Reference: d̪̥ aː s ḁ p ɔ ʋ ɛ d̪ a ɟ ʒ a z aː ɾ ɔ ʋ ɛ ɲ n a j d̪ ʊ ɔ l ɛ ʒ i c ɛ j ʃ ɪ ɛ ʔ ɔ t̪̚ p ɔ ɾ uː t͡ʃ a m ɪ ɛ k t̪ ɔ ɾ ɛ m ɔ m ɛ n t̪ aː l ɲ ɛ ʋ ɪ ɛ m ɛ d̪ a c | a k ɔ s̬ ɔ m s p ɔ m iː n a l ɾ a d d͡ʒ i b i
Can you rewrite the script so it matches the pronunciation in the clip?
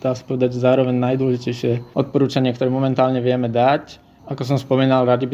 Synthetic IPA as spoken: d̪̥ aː s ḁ p ɔ ʋ ɛ d̪ a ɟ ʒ ɛ z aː ɾ ɔ ʋ ɛ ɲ n a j d̪ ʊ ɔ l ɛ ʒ i c ɛ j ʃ ɪ ɛ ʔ ɔ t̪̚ p ɔ ɾ uː t͡ʃ a ɲ ɪ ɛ k t̪ ɔ ɾ ɛ m ɔ m ɛ n t̪ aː l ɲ ɛ ʋ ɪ ɛ m ɛ d̪ a c | a k ɔ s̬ ɔ m s p ɔ m iː n a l ɾ a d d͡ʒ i b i